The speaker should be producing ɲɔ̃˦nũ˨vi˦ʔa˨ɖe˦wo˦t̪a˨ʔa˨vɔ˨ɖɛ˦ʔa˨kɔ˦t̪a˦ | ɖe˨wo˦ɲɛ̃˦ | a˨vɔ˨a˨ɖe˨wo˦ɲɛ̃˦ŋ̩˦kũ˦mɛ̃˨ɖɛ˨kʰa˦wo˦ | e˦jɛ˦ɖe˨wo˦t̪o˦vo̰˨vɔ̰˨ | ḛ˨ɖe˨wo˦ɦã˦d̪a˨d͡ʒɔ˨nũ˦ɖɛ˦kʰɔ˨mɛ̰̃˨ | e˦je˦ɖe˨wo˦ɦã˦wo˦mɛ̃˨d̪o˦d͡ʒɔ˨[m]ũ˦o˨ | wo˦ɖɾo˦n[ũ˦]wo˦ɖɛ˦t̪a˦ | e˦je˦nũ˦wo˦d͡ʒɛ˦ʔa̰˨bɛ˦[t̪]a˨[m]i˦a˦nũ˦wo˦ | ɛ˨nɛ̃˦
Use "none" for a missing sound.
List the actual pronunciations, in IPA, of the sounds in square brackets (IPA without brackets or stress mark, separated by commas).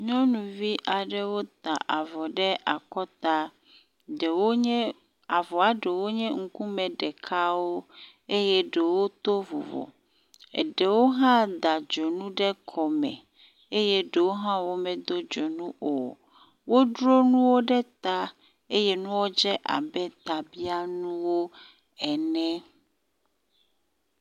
n, ũ˦, t̪, b